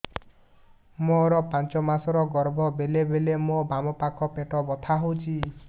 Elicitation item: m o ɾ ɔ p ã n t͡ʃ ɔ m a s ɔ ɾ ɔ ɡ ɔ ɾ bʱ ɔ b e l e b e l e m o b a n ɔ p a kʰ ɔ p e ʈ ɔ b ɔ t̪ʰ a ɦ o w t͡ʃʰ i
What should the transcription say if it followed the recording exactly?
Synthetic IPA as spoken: m o ɾ ɔ p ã n t͡ʃ ɔ m a s ɔ ɾ ɔ ɡ ɔ ɾ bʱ ɔ b e l e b e l e m o b a m ɔ p a kʰ ɔ p e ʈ ɔ b ɔ t̪ʰ a ɦ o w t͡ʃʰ i